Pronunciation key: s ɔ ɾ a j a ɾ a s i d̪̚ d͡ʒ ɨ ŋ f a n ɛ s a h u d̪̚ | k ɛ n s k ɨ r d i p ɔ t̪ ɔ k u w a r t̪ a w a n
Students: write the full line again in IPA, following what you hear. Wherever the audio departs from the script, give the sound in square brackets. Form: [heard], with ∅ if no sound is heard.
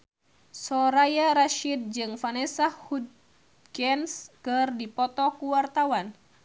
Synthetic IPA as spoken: s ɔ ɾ a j a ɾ a [ʃ] i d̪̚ d͡ʒ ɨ ŋ f a n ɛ s a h u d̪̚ | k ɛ n s k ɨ r d i p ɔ t̪ ɔ k u w a r t̪ a w a n

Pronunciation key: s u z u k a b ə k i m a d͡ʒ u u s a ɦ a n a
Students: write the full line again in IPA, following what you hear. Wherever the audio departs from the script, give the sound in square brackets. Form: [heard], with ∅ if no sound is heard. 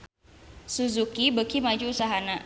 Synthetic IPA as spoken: s u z u k [i] b ə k i m a d͡ʒ u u s a ɦ a n a

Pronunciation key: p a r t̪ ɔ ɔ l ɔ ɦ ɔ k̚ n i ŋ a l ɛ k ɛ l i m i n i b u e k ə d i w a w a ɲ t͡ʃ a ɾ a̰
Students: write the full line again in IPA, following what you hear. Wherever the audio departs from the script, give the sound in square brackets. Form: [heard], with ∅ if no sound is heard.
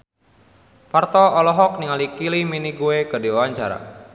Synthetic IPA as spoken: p a r t̪ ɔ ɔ l ɔ ɦ ɔ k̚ n i ŋ a l [i] k [i] l i m i n i [ɡ] u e k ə d i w a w a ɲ t͡ʃ a ɾ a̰

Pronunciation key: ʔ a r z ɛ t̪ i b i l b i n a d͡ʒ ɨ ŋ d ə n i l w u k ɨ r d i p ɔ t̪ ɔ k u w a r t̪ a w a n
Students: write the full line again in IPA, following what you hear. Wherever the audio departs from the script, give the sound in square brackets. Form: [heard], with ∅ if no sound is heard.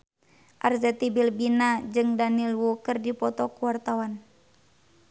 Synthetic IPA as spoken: ʔ a r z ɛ t̪ i b i l b i n a d͡ʒ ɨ ŋ d [a] n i l w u k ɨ r d i p ɔ t̪ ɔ k u w a r t̪ a w a n

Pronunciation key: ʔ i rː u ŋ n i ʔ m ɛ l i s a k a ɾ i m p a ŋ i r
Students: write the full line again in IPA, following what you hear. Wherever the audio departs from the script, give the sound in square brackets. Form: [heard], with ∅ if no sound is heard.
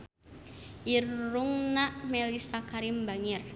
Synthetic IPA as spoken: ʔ i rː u ŋ n [a] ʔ m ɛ l i s a k a ɾ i m [b] a ŋ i r

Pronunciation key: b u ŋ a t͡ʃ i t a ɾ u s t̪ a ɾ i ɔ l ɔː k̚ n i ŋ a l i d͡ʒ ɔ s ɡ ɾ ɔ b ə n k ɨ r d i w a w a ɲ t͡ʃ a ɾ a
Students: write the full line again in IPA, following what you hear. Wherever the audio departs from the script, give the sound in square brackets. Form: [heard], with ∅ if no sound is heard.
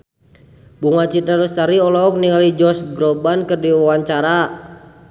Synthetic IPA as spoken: b u ŋ a t͡ʃ i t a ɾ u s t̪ a ɾ i ɔ l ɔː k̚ n i ŋ a l i d͡ʒ ɔ s ɡ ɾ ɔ b [a] n k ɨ r d i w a w a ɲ t͡ʃ a ɾ a

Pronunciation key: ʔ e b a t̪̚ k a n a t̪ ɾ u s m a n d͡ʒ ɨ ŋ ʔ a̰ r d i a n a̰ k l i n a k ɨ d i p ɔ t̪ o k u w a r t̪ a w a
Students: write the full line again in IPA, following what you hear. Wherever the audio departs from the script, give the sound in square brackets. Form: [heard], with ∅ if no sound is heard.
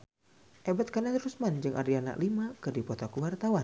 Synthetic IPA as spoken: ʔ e b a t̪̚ k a n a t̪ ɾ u s m a n d͡ʒ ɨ ŋ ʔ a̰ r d i a n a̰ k l i [m] a k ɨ d i p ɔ t̪ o k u w a r t̪ a w a

